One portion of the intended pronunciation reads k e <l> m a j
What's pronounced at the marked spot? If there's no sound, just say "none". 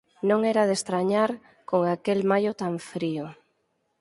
l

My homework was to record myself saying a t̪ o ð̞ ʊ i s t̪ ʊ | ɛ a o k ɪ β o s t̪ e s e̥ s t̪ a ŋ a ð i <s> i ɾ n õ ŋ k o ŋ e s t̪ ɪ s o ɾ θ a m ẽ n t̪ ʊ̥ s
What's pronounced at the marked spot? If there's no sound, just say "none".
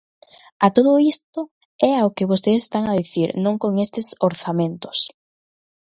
θ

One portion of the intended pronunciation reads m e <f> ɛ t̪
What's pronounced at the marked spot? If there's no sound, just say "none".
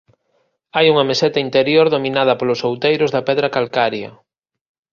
s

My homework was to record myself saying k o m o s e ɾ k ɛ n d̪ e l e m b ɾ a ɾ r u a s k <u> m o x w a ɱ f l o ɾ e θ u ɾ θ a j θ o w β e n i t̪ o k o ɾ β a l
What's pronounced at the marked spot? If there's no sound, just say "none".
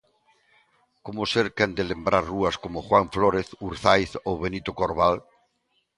o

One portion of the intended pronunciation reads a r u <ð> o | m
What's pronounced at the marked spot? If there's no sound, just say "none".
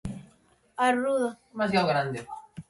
ð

